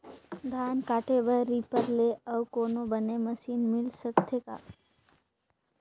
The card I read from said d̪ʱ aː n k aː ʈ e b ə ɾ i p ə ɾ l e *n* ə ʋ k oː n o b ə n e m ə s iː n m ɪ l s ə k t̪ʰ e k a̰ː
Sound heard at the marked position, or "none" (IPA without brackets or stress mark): none